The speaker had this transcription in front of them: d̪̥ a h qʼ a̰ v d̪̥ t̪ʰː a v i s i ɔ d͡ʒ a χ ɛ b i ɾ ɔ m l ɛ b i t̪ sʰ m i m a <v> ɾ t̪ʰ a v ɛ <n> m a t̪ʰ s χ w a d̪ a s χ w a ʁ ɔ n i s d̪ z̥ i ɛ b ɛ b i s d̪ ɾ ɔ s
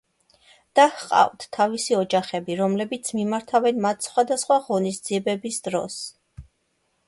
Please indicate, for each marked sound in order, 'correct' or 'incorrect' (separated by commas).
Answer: incorrect, correct